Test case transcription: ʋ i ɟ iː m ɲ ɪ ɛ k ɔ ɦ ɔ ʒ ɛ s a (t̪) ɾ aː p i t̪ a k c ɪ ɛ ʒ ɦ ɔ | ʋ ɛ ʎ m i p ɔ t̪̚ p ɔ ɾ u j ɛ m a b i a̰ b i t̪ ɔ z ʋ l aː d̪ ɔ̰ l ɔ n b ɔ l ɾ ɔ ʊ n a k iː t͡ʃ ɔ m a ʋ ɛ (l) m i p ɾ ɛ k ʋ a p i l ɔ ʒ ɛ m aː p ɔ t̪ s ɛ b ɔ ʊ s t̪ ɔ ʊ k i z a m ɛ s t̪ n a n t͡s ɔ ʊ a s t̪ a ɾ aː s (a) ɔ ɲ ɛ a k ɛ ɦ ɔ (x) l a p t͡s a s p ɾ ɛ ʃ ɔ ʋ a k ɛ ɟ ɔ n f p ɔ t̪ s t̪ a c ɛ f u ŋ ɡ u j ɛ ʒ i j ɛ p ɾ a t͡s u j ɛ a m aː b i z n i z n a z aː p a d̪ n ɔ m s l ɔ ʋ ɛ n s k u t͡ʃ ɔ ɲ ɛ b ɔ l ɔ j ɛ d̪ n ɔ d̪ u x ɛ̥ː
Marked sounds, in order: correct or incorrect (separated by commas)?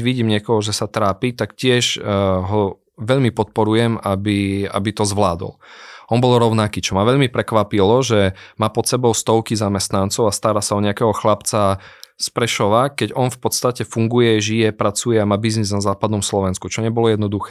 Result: correct, incorrect, correct, correct